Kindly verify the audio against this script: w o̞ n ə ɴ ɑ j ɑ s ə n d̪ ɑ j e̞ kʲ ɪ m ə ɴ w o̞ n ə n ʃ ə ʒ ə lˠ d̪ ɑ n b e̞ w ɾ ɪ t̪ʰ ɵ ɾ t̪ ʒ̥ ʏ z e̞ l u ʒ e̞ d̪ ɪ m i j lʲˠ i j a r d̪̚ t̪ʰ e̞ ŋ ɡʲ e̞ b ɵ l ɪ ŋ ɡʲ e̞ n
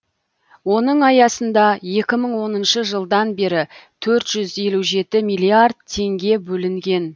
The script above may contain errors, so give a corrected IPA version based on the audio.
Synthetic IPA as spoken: w o̞ n ə ɴ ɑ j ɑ s ə n d̪ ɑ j e̞ kʲ ɪ m ə ɴ w o̞ n ə n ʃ ə ʒ ə lˠ d̪ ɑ n b e̞ ɾ ɪ t̪ʰ ɵ ɾ t̪ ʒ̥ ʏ z e̞ l u ʒ e̞ t̪ ɪ m i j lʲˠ i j a r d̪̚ t̪ʰ e̞ ŋ ɡʲ e̞ b ɵ l ɪ ŋ ɡʲ e̞ n